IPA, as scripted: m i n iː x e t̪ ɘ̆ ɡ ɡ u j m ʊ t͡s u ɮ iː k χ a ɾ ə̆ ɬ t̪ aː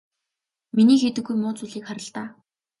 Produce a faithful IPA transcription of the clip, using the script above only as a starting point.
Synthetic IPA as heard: m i n iː x e t̪ ɘ̆ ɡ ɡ u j m ʊː t͡s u ɮ iː k χ a ɾ ə̆ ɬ t̪ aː